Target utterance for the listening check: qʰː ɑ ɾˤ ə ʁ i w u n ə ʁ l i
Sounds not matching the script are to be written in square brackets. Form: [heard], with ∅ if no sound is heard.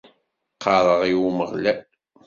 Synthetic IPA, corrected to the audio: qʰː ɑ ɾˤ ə ʁ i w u [m] ə ʁ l [æ]